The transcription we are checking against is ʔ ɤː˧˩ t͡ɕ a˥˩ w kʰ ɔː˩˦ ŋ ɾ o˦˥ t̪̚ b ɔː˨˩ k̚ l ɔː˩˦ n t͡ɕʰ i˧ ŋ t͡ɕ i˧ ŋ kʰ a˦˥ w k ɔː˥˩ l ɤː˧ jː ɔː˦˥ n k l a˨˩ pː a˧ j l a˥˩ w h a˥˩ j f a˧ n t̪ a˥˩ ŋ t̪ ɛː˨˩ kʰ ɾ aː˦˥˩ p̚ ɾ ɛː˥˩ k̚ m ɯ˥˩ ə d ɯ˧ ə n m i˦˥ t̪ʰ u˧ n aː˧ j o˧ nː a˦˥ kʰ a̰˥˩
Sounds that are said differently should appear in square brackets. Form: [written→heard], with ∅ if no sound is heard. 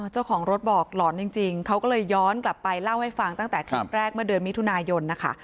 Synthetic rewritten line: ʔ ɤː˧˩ t͡ɕ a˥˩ w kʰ ɔː˩˦ ŋ ɾ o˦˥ t̪̚ b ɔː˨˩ k̚ l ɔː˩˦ n [t͡ɕʰ→t͡ɕ] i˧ ŋ t͡ɕ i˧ ŋ kʰ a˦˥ w k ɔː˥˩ l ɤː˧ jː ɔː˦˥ n k l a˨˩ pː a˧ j l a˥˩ w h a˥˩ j f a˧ [n→ŋ] t̪ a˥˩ ŋ t̪ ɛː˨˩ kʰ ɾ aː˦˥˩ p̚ ɾ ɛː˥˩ k̚ m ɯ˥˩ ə d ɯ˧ ə n m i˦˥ t̪ʰ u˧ n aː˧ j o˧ nː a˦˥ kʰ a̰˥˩